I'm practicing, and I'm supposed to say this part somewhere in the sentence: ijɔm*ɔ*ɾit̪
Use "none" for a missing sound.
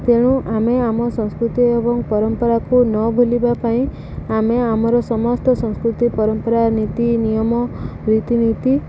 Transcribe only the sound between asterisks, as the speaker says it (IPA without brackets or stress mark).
ɔ